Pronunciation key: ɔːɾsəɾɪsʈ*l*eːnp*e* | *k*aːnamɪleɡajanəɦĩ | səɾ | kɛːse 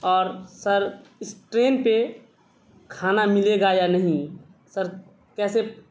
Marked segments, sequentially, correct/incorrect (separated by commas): incorrect, correct, incorrect